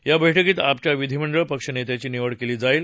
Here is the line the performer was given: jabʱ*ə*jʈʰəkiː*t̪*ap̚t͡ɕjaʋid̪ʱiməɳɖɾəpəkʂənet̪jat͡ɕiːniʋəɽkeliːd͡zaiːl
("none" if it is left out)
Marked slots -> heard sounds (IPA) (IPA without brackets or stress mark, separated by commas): ə, t̪